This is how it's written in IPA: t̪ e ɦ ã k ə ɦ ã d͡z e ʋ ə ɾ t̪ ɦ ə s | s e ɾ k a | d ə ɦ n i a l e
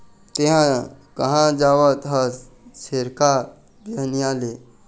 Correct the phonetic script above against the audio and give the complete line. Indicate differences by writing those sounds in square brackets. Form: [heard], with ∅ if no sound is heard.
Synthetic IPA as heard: t̪ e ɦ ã k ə ɦ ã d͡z [a] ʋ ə [∅] t̪ ɦ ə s | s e ɾ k a | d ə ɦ n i a l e